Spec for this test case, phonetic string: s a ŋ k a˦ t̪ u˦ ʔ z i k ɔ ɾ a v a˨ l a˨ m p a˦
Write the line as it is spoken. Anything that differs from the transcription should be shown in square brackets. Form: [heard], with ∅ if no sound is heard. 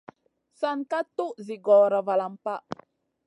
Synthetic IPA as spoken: s a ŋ k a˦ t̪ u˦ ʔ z i [ɡ] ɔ ɾ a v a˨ l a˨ m p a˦

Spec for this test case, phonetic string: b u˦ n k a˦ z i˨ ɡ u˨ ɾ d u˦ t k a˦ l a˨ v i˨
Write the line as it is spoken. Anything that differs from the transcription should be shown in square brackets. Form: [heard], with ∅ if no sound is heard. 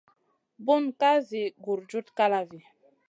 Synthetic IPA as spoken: b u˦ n k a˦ z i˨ ɡ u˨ ɾ [d͡ʒ] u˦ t k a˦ l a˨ v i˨

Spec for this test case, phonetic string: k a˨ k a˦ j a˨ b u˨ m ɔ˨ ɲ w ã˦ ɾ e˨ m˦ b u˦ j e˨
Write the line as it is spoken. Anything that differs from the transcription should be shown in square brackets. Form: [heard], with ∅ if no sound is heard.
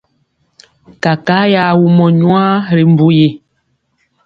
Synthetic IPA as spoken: k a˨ k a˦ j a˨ [w] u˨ m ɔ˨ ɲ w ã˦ ɾ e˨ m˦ b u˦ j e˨

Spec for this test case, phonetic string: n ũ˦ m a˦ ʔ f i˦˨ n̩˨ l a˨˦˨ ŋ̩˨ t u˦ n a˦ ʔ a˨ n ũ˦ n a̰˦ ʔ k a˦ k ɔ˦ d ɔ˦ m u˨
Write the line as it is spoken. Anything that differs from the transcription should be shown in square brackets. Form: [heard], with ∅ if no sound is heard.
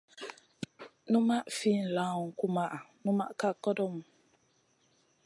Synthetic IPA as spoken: n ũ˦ m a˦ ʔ f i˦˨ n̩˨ l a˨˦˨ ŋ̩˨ [k] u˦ [m] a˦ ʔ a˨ n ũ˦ [m] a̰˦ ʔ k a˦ k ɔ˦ d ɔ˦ m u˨

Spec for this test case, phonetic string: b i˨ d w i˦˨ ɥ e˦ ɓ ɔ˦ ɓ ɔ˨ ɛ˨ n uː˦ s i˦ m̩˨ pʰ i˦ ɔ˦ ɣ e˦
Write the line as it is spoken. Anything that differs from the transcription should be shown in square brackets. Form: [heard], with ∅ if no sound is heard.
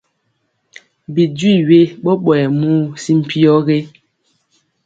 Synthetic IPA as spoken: b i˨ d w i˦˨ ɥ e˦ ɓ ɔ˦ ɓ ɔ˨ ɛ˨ [m] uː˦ s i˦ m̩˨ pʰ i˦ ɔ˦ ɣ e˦

